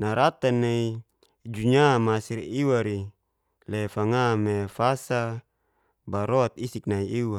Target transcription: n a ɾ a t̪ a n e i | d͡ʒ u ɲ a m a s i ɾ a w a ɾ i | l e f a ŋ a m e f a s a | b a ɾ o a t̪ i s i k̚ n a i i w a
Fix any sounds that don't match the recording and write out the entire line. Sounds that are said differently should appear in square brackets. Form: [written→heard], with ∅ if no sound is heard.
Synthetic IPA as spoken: n a ɾ a t̪ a n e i | d͡ʒ u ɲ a m a s i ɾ [a→i] w a ɾ i | l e f a ŋ a m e f a s a | b a ɾ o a t̪ i s i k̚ n a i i w a